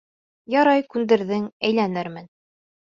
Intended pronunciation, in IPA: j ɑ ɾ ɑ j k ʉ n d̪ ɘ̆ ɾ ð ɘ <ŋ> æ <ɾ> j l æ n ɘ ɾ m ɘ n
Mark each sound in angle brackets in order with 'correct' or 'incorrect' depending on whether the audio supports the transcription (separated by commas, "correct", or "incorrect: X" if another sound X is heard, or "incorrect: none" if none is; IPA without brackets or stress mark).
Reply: correct, incorrect: none